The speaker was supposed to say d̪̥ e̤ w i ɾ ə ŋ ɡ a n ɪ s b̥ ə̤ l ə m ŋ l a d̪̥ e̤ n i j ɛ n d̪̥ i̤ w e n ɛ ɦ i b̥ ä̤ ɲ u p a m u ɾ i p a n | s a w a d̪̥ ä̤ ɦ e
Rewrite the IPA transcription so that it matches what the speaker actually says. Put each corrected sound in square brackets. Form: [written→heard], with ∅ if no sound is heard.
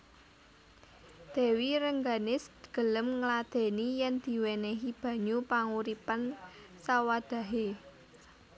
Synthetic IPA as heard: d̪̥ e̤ w i ɾ ə ŋ ɡ a n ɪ s [b̥→ɡ̥] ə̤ l ə m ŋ l a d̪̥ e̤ n i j ɛ n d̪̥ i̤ w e n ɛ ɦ i b̥ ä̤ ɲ u p a [m→ŋ] u ɾ i p a n | s a w a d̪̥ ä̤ ɦ e